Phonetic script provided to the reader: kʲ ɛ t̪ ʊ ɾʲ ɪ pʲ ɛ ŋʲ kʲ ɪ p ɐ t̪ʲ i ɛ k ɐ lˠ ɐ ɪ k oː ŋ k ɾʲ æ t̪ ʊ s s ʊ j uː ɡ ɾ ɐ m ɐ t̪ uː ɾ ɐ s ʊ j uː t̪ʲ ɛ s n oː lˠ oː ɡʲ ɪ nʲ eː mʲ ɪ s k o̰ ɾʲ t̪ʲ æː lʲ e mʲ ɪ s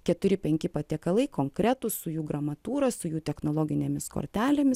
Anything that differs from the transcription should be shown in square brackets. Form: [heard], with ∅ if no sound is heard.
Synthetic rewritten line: kʲ ɛ t̪ ʊ ɾʲ ɪ pʲ ɛ ŋʲ kʲ ɪ p ɐ t̪ʲ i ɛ k ɐ lˠ ɐ ɪ k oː ŋ k ɾʲ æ t̪ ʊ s s ʊ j uː ɡ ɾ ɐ m ɐ t̪ uː ɾ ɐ s ʊ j uː t̪ʲ ɛ [x] n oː lˠ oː ɡʲ ɪ nʲ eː mʲ ɪ s k o̰ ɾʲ t̪ʲ æː lʲ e mʲ ɪ s